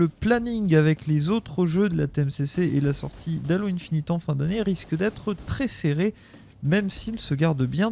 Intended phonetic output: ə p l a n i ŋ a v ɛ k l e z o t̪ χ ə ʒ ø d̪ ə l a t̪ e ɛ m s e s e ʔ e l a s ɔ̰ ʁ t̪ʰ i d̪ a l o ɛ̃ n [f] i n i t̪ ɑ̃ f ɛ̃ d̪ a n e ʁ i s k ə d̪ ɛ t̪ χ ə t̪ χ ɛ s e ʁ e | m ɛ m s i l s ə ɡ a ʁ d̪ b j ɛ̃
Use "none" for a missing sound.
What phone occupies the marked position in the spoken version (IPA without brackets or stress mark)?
f